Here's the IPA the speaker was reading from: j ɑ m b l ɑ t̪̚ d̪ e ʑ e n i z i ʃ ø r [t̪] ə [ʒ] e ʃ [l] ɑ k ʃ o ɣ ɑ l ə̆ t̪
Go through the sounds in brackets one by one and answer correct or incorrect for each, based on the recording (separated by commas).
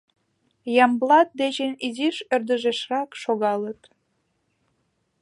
incorrect, correct, incorrect